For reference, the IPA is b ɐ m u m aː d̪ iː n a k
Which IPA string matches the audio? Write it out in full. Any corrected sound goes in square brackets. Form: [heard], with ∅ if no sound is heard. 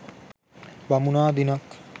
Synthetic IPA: b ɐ m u [n] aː d̪ [i] n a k